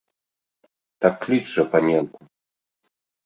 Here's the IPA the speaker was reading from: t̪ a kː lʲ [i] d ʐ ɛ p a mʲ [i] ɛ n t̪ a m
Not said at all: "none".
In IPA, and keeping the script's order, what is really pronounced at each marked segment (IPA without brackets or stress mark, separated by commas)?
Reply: i, j